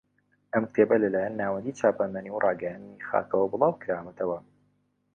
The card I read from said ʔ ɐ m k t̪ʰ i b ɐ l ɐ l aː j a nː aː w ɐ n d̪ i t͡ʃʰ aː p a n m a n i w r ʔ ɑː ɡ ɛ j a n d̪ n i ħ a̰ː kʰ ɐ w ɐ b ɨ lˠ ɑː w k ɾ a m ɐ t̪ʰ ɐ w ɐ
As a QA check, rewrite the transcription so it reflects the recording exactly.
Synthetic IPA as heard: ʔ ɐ m k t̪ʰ e b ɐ l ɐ l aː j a nː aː w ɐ n d̪ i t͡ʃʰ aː p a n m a n i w r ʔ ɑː ɡ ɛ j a n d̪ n i x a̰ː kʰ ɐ w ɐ b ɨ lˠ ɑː w k ɾ a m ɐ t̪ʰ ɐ w ɐ

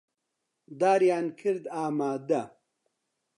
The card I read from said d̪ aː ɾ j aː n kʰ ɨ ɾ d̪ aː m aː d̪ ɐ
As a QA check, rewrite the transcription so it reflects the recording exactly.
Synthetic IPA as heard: d̪ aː ɾ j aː n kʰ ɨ ɾ d̪ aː m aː d̪ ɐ

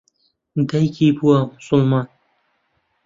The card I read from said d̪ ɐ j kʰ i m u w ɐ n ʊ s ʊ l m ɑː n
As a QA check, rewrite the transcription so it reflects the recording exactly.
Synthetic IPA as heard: d̪ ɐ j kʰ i b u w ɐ m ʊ s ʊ l m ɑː n

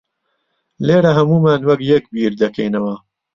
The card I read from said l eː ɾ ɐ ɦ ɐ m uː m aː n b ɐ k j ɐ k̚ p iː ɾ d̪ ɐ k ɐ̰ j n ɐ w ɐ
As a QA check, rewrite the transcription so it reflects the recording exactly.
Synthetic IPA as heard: l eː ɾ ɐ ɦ ɐ m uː m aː n w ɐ k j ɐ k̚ b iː ɾ d̪ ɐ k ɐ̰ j n ɐ w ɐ

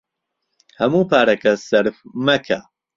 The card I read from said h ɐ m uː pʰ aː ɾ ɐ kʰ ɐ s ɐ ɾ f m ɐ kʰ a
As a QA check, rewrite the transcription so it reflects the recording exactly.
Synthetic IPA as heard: h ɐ m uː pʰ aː ɾ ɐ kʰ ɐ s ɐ ɾ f m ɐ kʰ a

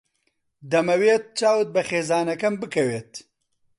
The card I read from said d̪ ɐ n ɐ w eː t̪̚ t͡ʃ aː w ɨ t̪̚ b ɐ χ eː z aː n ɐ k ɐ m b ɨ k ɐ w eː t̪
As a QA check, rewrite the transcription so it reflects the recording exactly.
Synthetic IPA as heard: d̪ ɐ m ɐ w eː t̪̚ t͡ʃ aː w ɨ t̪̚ b ɐ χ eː z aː n ɐ k ɐ m b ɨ k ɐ w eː t̪

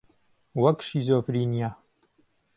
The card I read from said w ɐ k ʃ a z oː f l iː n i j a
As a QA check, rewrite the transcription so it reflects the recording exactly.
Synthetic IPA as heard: w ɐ k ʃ i z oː f ɾ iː n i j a

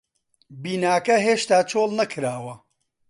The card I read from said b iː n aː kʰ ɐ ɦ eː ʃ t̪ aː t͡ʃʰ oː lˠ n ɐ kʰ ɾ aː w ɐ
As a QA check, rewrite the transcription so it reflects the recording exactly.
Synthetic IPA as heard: b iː n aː k ɐ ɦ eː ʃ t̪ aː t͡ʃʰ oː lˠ n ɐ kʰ ɾ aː w ɐ

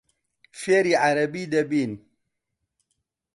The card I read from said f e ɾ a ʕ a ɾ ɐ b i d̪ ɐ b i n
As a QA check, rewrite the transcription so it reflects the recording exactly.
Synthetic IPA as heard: f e ɾ i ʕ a ɾ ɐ b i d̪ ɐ b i n

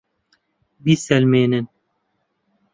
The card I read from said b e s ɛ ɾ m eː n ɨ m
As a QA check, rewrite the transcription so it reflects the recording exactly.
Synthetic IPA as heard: b i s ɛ l m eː n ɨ n

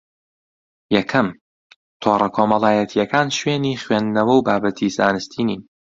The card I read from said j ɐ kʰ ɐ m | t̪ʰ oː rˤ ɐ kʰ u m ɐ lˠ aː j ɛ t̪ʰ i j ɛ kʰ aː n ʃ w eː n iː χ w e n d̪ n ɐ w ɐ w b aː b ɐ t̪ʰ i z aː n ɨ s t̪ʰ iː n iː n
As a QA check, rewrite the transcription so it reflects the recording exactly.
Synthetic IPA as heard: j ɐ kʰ ɐ m | t̪ʰ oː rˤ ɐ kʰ o m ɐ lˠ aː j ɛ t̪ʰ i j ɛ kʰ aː n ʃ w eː n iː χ w e n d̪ n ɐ w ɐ w b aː b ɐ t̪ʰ i z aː n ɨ s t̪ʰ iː n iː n

